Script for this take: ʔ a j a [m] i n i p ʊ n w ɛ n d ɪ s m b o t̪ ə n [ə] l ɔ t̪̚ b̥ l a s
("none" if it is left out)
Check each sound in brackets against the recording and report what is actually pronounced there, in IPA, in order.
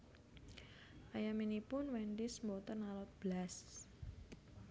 m, a

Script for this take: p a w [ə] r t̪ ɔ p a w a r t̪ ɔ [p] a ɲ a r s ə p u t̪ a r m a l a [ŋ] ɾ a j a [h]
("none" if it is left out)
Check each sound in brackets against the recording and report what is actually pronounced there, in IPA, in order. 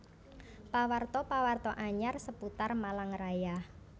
a, ʔ, ŋ, h

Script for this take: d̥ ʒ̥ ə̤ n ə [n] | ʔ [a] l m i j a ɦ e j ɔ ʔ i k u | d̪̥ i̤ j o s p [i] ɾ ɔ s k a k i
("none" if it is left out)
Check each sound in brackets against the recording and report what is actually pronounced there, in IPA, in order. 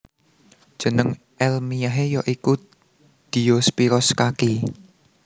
ŋ, ɛ, i

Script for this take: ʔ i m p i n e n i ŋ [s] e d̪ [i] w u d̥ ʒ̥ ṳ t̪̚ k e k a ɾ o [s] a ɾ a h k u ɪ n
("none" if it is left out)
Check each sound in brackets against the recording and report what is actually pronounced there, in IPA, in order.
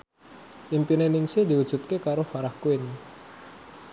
s, i, f

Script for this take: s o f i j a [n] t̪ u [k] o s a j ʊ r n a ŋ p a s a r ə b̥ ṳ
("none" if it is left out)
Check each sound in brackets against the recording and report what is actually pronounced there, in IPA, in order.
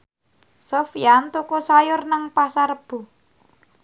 n, k

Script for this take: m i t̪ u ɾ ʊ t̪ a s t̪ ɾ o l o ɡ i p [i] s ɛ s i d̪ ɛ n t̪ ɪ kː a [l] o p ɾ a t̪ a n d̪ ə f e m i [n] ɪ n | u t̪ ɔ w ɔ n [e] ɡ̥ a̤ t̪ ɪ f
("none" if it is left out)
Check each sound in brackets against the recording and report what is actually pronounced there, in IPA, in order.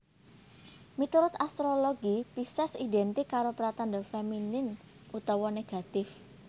i, ɾ, n, e

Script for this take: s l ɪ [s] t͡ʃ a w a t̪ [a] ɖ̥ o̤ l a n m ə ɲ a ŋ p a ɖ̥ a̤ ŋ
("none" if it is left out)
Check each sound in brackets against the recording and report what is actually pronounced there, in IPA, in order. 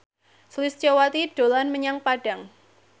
s, i

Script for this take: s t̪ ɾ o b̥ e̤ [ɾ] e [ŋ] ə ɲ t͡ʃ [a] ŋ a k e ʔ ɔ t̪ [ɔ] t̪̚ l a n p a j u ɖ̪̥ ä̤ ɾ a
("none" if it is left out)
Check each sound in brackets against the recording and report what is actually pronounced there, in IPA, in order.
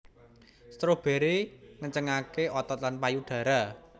ɾ, ŋ, ə, ɔ

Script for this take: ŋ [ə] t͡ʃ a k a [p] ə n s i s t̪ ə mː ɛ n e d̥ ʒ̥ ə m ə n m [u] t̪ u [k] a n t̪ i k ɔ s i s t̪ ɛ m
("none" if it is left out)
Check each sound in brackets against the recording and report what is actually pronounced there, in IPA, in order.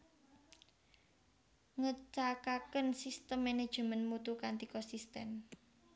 ə, k, u, k

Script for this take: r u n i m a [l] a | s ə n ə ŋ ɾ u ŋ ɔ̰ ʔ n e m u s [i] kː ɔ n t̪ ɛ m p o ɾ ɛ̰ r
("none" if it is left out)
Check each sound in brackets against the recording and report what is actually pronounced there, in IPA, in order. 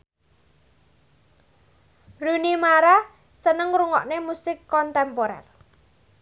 ɾ, ɪ

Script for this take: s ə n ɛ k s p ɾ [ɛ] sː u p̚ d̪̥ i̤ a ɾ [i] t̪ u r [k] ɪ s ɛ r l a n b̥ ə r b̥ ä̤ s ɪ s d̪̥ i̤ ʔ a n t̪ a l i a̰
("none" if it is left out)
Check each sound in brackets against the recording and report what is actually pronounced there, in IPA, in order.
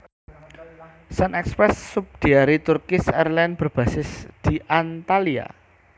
ɛ, i, k

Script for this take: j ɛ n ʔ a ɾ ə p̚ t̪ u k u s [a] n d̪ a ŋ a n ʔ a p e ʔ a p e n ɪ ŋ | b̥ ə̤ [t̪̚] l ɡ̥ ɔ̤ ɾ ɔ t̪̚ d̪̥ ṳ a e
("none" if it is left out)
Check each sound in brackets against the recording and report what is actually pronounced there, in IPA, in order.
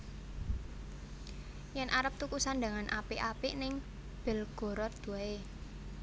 a, none

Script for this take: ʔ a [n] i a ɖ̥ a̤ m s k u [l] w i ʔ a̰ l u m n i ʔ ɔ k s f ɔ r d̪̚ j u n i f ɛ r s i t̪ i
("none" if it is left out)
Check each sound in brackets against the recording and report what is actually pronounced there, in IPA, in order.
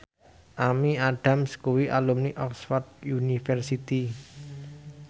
m, none

